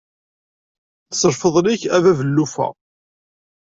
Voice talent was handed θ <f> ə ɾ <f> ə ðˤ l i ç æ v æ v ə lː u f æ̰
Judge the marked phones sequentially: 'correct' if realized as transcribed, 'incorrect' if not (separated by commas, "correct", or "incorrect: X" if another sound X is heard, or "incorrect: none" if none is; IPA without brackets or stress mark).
incorrect: s, correct